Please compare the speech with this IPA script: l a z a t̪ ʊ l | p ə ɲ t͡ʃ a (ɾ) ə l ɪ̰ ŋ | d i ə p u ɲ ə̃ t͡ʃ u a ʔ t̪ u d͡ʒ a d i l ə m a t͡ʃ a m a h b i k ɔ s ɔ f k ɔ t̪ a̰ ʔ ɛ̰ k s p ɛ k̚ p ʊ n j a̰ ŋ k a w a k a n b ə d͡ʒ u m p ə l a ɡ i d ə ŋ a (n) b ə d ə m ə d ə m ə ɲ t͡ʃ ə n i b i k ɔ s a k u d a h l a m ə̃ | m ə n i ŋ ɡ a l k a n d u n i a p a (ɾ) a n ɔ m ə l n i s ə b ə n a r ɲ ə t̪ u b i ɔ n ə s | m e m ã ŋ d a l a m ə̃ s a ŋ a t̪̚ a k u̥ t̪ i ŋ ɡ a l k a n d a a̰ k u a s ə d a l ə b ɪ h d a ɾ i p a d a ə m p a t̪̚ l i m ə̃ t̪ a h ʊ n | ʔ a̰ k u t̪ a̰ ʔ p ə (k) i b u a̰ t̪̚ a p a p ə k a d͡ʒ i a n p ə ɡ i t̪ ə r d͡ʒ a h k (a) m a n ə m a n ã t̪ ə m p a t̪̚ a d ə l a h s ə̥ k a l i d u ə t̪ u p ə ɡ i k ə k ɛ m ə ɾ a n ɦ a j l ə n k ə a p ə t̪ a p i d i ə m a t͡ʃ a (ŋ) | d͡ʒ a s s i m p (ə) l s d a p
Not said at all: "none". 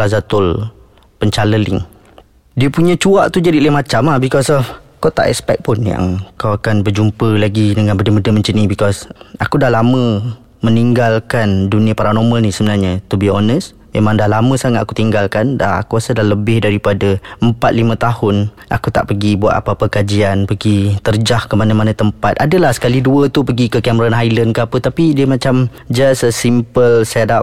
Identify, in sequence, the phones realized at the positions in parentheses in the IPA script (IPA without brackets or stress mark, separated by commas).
l, n, ɾ, ɡ, ə, m, ə